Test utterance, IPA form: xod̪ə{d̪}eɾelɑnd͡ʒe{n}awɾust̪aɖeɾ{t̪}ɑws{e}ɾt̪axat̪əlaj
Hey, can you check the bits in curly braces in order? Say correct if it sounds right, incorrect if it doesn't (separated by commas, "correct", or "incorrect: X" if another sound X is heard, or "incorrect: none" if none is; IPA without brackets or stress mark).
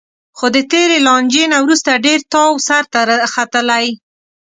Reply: incorrect: t̪, correct, correct, incorrect: a